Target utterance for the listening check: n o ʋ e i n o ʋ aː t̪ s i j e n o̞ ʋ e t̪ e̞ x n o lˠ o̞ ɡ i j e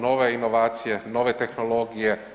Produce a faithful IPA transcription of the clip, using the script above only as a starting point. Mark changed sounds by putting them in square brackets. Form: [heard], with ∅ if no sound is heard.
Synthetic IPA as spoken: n o ʋ e i n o ʋ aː t̪ s i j e n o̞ ʋ e t̪ e̞ x n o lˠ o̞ ɡ i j e